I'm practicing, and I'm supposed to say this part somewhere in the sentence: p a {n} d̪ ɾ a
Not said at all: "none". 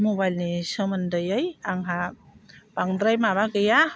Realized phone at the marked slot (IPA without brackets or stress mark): ŋ